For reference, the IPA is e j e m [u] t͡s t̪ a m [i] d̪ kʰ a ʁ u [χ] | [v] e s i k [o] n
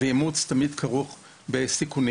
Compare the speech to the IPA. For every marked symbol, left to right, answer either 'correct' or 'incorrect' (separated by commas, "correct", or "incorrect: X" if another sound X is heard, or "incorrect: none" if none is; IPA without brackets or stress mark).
correct, correct, correct, incorrect: b, incorrect: u